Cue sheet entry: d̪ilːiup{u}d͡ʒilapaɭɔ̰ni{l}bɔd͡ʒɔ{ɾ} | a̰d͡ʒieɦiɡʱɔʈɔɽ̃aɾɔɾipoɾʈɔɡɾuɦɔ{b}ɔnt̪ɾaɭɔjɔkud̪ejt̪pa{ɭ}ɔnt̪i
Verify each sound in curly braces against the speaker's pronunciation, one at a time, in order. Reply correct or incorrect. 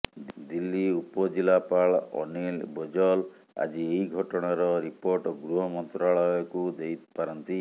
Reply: incorrect: ɔ, correct, incorrect: l, incorrect: m, incorrect: ɾ

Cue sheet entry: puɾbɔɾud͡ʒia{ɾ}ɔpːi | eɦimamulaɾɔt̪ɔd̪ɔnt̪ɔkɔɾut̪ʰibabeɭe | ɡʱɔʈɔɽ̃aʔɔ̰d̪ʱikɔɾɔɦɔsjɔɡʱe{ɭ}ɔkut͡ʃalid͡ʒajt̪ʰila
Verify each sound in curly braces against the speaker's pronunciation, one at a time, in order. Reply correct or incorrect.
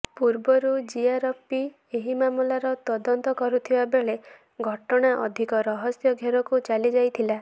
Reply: correct, incorrect: ɾ

